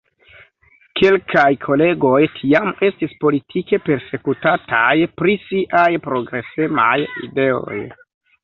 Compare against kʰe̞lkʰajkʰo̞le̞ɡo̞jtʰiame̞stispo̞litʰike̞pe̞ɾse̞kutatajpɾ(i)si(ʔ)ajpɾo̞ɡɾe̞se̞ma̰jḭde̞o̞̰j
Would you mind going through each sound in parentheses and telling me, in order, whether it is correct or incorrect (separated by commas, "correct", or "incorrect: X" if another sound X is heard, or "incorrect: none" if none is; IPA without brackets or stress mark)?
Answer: correct, correct